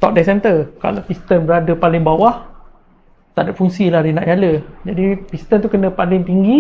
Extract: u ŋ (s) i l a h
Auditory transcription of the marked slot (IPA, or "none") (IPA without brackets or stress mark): s